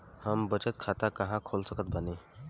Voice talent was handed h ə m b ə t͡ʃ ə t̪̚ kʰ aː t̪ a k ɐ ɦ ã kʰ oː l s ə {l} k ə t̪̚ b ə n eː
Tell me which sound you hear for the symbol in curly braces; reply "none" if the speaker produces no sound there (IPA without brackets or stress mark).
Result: none